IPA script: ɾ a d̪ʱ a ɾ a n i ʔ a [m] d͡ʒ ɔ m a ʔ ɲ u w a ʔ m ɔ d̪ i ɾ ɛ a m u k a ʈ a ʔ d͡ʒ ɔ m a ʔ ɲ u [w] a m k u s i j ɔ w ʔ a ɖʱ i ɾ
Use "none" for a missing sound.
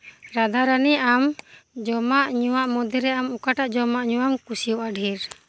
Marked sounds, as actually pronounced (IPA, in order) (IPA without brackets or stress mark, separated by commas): m, w